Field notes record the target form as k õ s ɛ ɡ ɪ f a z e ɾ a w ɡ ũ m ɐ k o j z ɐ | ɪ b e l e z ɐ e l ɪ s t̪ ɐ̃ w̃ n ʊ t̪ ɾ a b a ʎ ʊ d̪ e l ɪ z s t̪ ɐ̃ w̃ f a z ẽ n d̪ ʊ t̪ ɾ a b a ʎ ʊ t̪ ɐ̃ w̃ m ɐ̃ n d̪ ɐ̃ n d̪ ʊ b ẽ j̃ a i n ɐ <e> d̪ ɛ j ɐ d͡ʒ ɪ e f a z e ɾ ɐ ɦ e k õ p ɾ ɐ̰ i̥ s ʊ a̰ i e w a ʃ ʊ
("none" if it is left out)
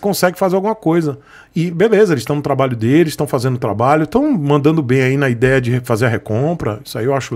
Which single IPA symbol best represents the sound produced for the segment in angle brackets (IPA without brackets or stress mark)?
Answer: i